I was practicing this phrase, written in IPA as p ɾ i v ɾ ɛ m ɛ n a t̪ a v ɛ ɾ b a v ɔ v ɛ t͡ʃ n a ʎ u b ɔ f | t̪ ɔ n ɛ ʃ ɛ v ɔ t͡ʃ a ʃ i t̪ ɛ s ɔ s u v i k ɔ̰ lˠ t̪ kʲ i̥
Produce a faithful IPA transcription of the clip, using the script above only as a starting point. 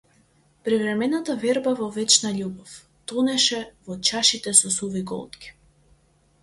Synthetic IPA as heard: p ɾ i v ɾ ɛ m ɛ n a t̪ a v ɛ ɾ b a v ɔ v ɛ t͡ʃ n a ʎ u b ɔ f | t̪ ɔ n ɛ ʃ ɛ v ɔ t͡ʃ a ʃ i t̪ ɛ s ɔ s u v i ɡ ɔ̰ lˠ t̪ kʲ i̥